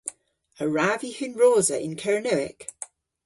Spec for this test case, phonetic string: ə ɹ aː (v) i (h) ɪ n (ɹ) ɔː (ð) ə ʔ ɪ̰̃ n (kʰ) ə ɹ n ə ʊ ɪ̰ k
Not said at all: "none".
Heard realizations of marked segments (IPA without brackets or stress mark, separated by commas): v, h, ɹ, z, kʰ